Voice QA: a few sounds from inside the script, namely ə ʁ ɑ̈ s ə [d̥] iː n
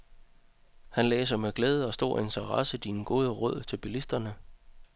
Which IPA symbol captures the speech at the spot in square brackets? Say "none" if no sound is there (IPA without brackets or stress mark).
d̥